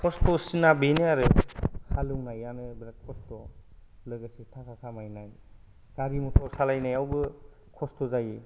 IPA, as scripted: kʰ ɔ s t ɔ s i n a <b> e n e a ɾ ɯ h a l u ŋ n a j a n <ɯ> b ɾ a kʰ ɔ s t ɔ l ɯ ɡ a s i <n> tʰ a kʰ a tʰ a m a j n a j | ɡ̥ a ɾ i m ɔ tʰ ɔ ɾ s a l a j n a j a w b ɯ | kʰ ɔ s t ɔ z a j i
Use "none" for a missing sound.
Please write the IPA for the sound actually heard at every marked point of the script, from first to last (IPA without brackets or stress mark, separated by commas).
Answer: b, ɯ, none